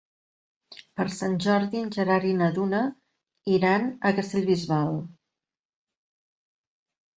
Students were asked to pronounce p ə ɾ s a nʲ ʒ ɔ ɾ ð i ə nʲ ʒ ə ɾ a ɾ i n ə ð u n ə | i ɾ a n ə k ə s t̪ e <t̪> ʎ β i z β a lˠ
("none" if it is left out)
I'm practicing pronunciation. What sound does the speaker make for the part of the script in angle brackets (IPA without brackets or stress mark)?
none